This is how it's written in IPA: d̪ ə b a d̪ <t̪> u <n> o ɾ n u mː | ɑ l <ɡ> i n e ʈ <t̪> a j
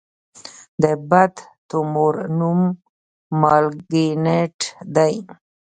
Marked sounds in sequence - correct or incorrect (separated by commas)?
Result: correct, incorrect, correct, incorrect